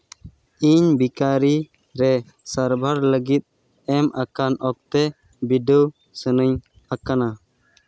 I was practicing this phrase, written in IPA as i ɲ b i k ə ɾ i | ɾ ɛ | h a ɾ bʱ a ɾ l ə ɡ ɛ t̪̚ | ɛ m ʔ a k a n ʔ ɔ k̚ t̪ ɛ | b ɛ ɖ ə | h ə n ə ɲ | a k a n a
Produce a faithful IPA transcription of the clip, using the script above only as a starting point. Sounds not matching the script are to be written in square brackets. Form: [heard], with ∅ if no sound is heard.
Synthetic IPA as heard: i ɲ b i k [a] ɾ i | ɾ ɛ | [s] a ɾ bʱ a ɾ l ə ɡ [i] t̪̚ | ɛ m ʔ a k a n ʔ ɔ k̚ t̪ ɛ | b [i] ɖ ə | [s] ə n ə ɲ | a k a n a